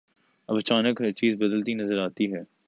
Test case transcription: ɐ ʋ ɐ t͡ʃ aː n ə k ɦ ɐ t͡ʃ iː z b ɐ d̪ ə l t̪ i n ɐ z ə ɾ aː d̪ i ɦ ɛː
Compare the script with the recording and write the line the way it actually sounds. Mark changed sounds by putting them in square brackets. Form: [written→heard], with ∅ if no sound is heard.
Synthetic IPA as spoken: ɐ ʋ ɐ t͡ʃ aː n ə k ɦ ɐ t͡ʃ iː z b ɐ d̪ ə l t̪ i n ɐ z ə ɾ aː [d̪→t̪] i ɦ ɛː